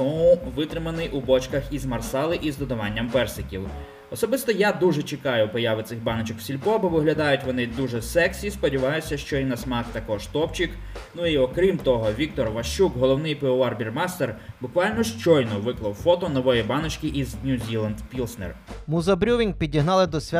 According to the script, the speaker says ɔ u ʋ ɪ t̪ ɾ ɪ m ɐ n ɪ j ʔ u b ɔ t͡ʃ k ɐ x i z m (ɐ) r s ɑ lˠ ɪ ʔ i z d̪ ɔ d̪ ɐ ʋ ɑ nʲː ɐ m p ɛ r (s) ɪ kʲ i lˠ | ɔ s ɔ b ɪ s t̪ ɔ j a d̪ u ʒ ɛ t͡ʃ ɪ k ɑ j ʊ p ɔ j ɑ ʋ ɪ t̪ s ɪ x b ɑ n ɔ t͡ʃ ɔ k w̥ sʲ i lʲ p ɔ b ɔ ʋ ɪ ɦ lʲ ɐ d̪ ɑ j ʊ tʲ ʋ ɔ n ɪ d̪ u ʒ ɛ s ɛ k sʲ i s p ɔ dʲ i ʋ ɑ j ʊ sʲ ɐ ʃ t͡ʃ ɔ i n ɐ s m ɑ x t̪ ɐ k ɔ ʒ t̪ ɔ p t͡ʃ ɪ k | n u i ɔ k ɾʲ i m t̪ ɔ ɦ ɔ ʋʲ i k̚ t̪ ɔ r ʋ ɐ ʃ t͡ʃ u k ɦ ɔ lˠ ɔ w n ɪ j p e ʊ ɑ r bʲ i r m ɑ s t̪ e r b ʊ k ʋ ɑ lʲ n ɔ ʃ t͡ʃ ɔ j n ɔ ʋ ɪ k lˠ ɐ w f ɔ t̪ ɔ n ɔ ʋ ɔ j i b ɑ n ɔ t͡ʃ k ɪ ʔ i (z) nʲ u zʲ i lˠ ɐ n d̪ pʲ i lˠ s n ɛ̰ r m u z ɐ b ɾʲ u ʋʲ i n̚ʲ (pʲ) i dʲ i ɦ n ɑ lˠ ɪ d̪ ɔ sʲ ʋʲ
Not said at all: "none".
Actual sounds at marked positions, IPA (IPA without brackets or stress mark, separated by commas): ɐ, s, z, pʲ